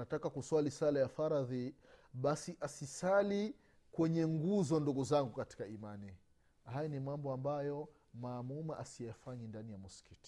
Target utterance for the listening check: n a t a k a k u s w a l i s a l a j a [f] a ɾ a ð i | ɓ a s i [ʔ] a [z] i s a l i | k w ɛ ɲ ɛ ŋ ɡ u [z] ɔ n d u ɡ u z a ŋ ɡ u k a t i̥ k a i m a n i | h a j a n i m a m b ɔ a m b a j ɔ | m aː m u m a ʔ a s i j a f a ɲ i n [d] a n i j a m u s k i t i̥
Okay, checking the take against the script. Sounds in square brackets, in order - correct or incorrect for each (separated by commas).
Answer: correct, correct, incorrect, correct, correct